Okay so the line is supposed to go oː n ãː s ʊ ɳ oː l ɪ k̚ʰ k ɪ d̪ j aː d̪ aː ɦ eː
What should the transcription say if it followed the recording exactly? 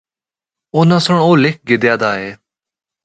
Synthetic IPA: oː n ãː s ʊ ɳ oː l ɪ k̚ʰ ɡ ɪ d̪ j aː d̪ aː ɦ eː